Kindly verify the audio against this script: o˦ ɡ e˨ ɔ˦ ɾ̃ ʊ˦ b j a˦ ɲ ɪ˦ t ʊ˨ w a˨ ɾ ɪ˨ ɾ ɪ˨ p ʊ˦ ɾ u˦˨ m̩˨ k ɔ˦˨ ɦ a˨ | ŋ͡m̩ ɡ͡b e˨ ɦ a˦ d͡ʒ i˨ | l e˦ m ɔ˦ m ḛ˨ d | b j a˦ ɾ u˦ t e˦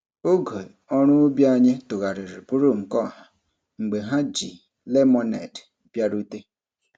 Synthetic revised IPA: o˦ ɡ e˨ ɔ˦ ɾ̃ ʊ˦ b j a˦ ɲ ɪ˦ t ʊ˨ ɣ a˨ ɾ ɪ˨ ɾ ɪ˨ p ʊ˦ ɾ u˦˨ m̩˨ k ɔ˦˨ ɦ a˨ | ŋ͡m̩ ɡ͡b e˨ ɦ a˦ d͡ʒ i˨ | l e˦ m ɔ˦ n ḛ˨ d | b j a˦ ɾ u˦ t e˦